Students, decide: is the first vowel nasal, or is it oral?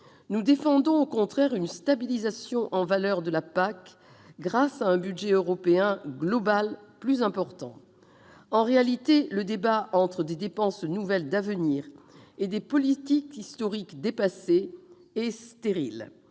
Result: oral